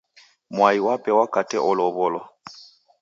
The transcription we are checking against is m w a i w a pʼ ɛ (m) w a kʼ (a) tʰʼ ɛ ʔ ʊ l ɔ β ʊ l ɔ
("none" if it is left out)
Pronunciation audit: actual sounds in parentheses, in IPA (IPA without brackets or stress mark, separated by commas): none, a